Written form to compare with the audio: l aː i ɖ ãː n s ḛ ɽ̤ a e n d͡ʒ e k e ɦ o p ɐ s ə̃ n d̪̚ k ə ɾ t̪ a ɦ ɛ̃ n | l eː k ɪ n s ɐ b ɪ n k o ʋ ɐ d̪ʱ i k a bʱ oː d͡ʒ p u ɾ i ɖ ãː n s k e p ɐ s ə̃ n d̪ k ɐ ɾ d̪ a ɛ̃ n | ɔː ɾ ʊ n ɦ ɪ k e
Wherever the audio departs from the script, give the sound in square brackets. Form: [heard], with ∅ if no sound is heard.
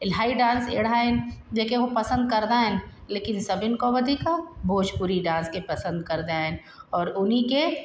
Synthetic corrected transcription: l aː i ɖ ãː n s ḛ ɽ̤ a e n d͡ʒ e k e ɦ o p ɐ s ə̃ n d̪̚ k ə ɾ [d̪] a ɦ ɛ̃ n | l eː k ɪ n s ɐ b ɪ n k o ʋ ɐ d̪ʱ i k a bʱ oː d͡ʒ p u ɾ i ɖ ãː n s k e p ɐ s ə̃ n d̪ k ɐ ɾ d̪ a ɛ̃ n | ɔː ɾ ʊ n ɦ [i] k e